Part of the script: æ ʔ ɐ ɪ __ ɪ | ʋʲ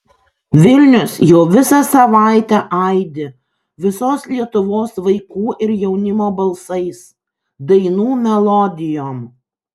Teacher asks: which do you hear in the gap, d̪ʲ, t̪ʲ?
d̪ʲ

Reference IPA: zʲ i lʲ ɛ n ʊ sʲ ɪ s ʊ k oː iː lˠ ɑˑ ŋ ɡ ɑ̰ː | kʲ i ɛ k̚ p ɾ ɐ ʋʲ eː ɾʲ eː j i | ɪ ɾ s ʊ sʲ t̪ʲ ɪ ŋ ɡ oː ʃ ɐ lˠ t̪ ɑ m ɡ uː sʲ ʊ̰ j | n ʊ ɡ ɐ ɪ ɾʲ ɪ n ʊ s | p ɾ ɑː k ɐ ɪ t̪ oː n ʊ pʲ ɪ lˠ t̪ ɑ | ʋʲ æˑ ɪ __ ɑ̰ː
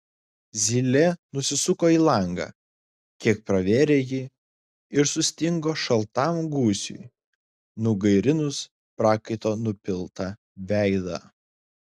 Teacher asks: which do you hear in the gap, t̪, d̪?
d̪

